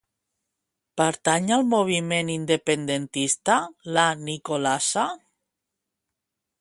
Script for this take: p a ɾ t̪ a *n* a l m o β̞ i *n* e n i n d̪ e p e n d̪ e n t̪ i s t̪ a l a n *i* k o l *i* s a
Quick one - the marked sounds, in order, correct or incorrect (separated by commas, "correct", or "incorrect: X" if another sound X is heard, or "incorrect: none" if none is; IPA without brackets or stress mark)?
incorrect: ɲ, incorrect: m, correct, incorrect: a